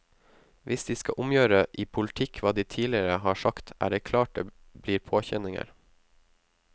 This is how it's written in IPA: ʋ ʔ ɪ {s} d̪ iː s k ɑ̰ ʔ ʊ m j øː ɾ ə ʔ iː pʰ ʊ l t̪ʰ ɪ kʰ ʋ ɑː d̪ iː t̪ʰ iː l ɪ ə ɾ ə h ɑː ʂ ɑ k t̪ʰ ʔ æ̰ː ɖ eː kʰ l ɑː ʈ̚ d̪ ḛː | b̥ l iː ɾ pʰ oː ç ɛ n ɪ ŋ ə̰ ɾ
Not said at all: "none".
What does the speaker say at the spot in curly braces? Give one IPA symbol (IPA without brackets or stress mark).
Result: s